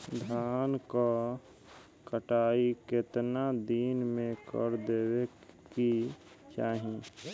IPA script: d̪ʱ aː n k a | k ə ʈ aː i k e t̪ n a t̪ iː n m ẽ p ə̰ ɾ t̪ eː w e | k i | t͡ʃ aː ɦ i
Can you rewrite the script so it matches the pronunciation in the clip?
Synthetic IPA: d̪ʱ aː n k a | k ə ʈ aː i k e t̪ n a d̪ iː n m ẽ k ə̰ ɾ d̪ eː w e | k i | t͡ʃ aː ɦ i

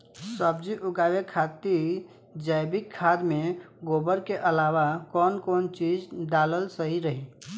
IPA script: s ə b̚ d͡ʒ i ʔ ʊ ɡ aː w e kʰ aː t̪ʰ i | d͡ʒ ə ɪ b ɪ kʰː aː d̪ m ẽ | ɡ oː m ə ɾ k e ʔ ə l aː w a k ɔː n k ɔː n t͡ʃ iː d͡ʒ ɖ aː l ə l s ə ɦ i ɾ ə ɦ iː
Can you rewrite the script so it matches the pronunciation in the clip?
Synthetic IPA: s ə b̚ d͡ʒ i ʔ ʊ ɡ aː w e kʰ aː t̪ i | d͡ʒ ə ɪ b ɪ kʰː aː d̪ m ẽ | ɡ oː b ə ɾ k e ʔ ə l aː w a k ɔː n k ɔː n t͡ʃ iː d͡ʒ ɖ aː l ə l s ə ɦ i ɾ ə ɦ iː

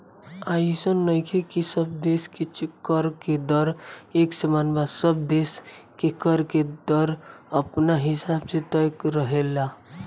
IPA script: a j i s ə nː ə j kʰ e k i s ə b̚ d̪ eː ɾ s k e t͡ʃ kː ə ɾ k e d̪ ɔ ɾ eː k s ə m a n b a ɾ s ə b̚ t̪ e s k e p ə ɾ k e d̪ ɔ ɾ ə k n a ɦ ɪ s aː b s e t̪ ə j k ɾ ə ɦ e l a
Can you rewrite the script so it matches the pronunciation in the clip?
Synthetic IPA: a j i s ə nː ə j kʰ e k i s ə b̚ d̪ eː s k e t͡ʃ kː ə ɾ k e d̪ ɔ ɾ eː k s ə m a n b a s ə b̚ d̪ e s k e k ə ɾ k e d̪ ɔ ɾ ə p n a ɦ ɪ s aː b s e t̪ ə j k ɾ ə ɦ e l a

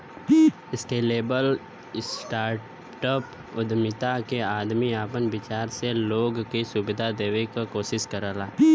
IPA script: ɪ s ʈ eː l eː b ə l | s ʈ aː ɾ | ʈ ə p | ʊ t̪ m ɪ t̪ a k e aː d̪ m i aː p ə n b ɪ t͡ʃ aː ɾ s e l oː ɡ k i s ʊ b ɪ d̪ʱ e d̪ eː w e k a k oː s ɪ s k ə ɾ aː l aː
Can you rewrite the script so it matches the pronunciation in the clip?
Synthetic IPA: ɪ s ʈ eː l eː b ə l | s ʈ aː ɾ | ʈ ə p | ʊ d̪ m ɪ t̪ a k e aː d̪ m i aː p ə n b ɪ t͡ʃ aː ɾ s e l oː ɡ k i s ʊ b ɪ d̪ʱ a d̪ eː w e k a k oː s ɪ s k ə ɾ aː l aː

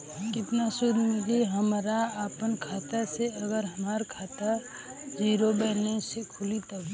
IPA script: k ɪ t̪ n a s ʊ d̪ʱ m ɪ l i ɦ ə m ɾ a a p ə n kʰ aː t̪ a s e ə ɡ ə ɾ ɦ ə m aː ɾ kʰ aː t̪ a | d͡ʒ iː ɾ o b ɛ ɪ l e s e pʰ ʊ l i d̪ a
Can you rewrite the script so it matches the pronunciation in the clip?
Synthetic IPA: k ɪ t̪ n a s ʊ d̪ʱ m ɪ l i ɦ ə m ɾ a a p ə n kʰ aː t̪ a s e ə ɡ ə ɾ ɦ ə m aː ɾ kʰ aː t̪ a | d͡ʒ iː ɾ o b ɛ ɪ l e s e kʰ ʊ l i t̪ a

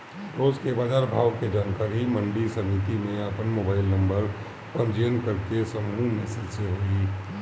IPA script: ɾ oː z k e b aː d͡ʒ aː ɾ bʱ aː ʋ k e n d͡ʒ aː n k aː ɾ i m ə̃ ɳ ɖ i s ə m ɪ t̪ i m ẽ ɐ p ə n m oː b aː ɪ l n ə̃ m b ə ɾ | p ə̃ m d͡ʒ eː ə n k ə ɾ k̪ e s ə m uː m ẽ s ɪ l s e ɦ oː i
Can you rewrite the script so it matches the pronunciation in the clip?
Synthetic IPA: ɾ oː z k e b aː d͡ʒ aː ɾ bʱ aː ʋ k e d͡ʒ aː n k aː ɾ i m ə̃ ɳ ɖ i s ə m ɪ t̪ i m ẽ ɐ p ə n m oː b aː ɪ l n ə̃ m b ə ɾ | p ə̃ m d͡ʒ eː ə n k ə ɾ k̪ e s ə m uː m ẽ s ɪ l s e ɦ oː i

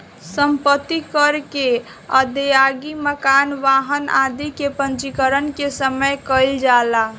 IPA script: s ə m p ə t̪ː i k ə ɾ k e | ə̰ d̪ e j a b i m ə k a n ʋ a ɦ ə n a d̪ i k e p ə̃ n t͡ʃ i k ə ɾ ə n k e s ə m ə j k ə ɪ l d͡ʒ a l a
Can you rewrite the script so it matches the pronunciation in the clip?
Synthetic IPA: s ə m p ə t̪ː i k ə ɾ k e | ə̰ d̪ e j a ɡ i m ə k a n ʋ a ɦ ə n a d̪ i k e p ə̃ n t͡ʃ i k ə ɾ ə n k e s ə m ə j k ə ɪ l d͡ʒ a l a

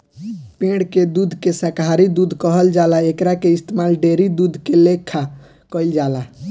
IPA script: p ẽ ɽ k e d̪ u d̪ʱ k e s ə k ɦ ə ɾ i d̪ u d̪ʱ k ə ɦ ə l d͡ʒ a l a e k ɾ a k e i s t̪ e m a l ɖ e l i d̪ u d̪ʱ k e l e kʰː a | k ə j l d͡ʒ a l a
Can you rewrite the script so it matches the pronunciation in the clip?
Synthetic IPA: p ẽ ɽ k e d̪ u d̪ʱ k e s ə k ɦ a ɾ i d̪ u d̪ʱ k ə ɦ ə l d͡ʒ a l a e k ɾ a k e i s t̪ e m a l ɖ e ɾ i d̪ u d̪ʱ k e l e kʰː a | k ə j l d͡ʒ a l a

